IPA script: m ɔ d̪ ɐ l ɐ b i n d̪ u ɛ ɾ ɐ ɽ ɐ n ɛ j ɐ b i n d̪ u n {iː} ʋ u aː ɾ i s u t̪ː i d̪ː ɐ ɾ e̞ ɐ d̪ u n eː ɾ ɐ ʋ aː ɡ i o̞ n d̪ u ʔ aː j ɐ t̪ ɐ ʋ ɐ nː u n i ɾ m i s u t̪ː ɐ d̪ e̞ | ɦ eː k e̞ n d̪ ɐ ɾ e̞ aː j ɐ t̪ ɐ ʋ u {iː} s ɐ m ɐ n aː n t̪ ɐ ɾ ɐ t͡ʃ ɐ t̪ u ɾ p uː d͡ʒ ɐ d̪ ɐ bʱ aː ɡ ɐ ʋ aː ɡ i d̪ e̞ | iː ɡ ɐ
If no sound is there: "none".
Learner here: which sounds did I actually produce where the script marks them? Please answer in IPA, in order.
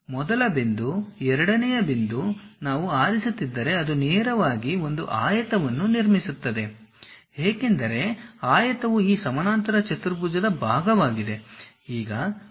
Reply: aː, iː

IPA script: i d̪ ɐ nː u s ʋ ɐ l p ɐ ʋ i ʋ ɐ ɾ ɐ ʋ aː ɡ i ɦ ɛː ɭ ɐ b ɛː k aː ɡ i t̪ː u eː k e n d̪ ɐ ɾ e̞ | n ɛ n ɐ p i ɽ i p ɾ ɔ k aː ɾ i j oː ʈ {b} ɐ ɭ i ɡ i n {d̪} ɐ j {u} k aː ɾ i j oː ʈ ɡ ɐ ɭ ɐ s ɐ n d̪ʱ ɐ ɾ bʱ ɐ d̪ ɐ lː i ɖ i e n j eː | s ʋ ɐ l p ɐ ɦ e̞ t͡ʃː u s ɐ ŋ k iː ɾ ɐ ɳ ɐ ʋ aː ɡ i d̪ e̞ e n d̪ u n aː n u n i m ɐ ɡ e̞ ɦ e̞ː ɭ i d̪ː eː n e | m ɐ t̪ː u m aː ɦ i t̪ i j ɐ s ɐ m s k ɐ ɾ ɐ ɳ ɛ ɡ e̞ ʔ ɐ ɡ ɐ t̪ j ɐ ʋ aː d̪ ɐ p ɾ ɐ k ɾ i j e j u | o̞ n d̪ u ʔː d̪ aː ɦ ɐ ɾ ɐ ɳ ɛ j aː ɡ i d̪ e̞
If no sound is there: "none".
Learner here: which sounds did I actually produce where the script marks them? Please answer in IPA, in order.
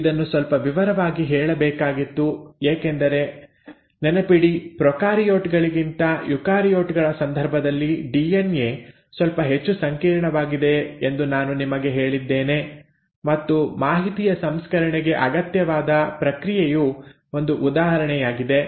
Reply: ɡ, t̪, u

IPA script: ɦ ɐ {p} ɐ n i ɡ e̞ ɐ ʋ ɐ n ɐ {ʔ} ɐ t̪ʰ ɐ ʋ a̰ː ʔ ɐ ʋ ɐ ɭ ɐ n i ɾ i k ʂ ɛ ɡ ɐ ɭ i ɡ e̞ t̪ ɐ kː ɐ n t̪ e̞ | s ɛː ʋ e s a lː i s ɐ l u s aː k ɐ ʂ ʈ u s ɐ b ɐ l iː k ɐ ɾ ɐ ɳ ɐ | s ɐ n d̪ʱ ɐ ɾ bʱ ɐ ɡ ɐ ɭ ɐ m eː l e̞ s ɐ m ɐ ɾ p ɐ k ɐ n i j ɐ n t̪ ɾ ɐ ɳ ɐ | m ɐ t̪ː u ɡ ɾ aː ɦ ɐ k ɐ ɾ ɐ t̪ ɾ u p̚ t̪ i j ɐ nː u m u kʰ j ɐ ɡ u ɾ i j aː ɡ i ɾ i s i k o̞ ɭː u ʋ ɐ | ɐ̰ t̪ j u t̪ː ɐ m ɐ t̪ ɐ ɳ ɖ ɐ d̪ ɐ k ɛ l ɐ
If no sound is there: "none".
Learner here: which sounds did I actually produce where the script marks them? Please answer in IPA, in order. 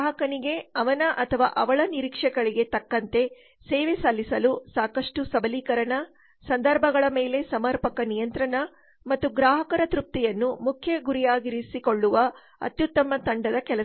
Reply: k, ʔ

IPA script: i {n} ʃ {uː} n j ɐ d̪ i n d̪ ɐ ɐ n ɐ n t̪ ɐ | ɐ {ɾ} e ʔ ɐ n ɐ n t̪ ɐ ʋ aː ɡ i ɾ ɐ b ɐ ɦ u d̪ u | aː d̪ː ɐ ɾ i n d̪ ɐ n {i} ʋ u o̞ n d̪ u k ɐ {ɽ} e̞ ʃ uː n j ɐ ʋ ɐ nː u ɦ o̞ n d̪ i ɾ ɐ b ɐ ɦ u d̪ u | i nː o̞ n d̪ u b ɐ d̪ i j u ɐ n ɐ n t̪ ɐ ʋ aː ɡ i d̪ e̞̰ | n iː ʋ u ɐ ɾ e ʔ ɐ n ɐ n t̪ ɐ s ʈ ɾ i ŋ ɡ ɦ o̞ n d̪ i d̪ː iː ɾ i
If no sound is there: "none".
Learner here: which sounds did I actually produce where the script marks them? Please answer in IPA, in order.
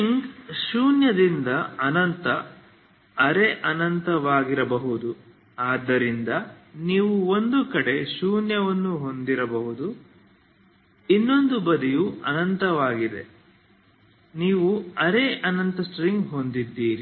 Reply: ŋ, uː, ɾ, iː, ɽ

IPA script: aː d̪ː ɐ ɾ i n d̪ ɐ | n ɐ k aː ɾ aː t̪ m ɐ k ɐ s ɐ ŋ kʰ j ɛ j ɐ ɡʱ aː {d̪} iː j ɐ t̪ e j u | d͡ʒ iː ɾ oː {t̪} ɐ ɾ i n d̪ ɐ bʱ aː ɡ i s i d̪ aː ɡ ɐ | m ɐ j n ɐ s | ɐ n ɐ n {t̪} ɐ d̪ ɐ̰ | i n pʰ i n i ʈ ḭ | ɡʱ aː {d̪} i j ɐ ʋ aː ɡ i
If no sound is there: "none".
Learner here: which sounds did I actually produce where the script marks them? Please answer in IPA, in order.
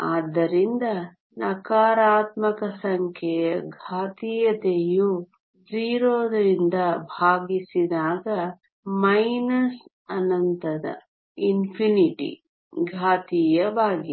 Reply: t̪, d̪, t̪, t̪

